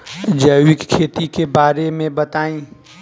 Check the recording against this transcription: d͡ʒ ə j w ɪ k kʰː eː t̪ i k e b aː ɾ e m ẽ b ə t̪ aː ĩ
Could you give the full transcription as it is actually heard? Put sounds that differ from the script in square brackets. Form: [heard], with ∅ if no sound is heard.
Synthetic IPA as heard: d͡ʒ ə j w ɪ k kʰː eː t̪ i k e b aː ɾ e m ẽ b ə t̪ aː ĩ